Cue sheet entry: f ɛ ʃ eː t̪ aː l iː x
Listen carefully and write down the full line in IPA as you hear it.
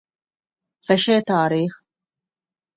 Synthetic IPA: f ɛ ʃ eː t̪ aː ɾ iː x